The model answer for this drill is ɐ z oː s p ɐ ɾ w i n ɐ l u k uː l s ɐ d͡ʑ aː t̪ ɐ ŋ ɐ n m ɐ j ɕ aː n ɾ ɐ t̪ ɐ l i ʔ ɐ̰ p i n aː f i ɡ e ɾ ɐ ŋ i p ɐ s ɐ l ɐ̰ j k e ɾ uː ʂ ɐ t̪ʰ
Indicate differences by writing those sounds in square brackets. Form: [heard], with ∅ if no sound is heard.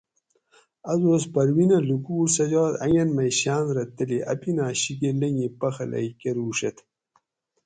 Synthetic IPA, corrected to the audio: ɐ z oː s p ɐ ɾ w i n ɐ l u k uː [ɾ] s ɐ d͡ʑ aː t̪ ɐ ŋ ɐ n m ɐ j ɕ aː n ɾ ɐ t̪ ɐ l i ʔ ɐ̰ p i n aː [ɕ] i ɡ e [l] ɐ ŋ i p ɐ [x] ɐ l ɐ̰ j k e ɾ uː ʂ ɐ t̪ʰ